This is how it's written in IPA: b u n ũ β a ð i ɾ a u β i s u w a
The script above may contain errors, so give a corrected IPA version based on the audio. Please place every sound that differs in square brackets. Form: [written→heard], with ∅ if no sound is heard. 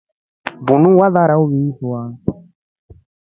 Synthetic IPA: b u n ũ [β→w] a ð [i→a] ɾ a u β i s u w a